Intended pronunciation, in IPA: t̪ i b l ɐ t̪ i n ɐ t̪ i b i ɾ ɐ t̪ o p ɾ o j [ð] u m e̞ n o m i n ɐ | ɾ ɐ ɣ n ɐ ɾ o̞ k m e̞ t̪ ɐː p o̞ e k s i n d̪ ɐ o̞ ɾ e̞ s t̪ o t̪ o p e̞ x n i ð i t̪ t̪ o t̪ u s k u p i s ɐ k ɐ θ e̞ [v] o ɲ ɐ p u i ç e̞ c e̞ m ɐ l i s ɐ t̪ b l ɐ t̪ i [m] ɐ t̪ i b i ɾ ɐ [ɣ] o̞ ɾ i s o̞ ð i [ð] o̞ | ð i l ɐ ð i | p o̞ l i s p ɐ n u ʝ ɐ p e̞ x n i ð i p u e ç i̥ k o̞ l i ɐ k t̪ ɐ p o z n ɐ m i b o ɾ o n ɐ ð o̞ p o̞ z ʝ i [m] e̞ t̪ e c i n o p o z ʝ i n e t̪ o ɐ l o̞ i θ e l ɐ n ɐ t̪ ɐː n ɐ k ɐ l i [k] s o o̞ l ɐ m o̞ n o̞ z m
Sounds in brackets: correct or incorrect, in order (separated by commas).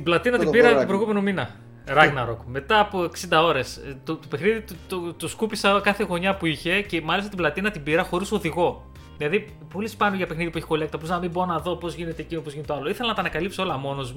incorrect, incorrect, incorrect, incorrect, incorrect, incorrect, incorrect